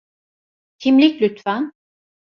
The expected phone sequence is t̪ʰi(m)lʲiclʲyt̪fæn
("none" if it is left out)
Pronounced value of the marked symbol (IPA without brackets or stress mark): m